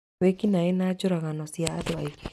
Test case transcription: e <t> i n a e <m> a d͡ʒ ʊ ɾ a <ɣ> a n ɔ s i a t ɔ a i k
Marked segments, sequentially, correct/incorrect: incorrect, incorrect, correct

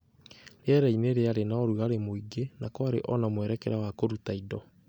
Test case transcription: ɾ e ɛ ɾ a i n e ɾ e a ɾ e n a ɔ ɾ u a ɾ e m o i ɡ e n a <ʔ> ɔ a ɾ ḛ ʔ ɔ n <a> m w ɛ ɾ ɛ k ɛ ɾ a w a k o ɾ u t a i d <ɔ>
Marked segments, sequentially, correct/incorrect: incorrect, correct, correct

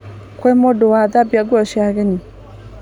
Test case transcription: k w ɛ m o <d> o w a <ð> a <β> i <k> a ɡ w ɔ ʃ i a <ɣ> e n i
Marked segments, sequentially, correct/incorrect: correct, correct, incorrect, incorrect, correct

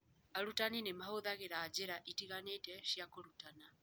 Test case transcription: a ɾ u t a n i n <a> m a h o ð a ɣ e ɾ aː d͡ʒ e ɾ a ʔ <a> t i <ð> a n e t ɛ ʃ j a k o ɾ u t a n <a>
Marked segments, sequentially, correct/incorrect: incorrect, incorrect, incorrect, correct

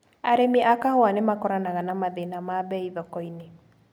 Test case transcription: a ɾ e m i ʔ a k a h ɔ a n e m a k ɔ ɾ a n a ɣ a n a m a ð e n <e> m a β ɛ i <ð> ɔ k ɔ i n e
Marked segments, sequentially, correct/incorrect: incorrect, correct

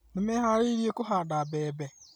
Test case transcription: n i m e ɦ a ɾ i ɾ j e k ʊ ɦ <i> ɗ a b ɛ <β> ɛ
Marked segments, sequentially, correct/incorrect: incorrect, incorrect

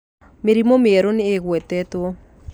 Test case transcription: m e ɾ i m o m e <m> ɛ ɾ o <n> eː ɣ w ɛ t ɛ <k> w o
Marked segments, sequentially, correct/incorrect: incorrect, correct, incorrect

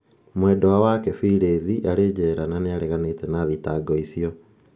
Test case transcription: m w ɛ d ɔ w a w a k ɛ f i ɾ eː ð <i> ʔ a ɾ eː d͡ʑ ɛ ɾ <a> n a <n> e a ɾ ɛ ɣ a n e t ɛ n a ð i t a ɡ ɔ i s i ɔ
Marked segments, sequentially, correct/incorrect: correct, correct, correct

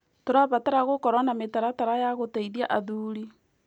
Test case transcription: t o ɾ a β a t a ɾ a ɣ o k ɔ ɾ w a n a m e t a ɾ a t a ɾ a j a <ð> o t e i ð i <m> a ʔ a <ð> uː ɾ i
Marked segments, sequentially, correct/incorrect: incorrect, incorrect, correct

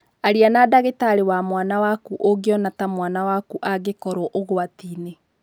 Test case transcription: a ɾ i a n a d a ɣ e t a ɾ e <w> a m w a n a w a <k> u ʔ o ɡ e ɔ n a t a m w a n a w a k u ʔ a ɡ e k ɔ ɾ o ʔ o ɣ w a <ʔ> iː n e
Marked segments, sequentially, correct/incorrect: correct, correct, incorrect

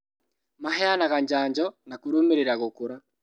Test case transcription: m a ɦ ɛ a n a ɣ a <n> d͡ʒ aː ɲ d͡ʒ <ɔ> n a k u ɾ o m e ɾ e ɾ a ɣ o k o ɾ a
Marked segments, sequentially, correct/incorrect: incorrect, correct

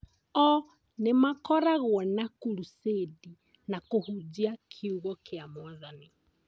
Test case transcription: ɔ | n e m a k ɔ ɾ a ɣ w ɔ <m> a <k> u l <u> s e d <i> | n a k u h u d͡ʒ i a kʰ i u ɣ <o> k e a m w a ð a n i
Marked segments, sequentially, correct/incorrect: incorrect, correct, correct, correct, incorrect

